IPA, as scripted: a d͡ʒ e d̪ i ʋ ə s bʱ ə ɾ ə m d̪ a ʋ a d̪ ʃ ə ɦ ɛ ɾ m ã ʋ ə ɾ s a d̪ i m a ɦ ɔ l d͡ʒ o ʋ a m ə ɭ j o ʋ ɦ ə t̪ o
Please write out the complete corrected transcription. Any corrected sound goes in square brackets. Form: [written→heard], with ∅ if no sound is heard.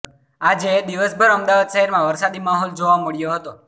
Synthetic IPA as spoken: a d͡ʒ e d̪ i ʋ ə s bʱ ə ɾ ə m d̪ a ʋ a d̪ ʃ ə ɦ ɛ ɾ m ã ʋ ə ɾ s a d̪ i m a ɦ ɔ l d͡ʒ o ʋ a m ə ɭ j o [ʋ→∅] ɦ ə t̪ o